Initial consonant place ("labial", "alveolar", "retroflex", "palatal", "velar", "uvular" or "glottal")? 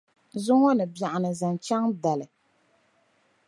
alveolar